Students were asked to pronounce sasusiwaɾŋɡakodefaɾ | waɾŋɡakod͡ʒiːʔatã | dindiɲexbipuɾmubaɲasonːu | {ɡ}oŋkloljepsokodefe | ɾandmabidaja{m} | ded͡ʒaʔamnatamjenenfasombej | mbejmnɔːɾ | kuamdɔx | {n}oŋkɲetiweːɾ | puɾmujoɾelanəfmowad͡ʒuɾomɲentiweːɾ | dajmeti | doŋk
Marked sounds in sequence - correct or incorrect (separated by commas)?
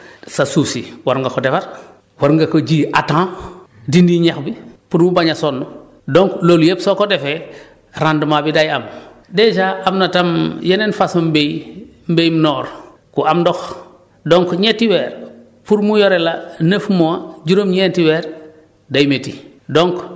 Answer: incorrect, correct, incorrect